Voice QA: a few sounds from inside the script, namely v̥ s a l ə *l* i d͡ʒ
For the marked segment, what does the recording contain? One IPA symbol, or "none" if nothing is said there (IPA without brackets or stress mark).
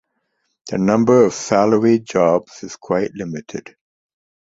ɹ